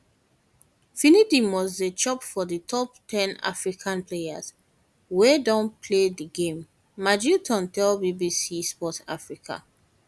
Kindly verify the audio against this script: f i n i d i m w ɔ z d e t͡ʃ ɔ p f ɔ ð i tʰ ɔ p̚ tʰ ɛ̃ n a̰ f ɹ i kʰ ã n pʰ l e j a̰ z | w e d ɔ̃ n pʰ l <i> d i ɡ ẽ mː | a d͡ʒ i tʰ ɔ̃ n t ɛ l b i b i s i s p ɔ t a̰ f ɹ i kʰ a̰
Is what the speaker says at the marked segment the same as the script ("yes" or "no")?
no